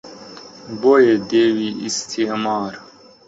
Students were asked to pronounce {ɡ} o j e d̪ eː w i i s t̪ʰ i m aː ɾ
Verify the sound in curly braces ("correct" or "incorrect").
incorrect